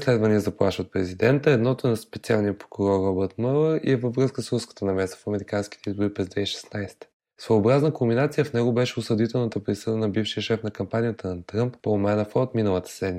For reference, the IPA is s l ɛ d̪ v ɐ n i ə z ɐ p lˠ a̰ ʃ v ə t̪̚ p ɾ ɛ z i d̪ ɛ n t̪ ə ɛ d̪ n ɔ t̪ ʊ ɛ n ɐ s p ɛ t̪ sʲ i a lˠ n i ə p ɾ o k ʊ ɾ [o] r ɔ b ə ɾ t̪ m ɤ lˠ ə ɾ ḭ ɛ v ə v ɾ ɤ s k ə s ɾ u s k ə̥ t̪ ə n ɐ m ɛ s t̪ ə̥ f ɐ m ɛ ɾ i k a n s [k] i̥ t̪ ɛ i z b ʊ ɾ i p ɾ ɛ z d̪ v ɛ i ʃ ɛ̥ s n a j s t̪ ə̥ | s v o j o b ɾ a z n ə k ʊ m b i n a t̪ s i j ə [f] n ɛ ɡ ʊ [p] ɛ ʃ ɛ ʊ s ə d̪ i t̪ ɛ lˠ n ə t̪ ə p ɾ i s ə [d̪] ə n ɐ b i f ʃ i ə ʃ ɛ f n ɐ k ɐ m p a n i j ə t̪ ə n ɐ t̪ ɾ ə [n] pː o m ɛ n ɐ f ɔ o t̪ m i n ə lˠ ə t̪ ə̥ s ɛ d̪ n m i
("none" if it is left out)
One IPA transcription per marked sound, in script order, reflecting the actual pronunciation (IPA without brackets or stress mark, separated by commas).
ɔ, k, f, b, d̪, m